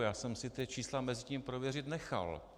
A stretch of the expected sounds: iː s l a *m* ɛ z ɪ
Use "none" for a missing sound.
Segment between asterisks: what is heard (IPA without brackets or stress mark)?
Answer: m